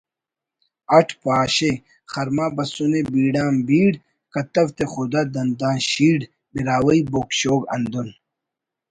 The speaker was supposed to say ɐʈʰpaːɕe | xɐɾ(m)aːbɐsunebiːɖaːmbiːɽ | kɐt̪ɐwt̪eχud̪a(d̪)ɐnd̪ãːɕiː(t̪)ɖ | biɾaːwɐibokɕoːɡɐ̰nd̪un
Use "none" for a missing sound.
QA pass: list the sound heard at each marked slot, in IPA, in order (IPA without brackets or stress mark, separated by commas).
m, d̪, none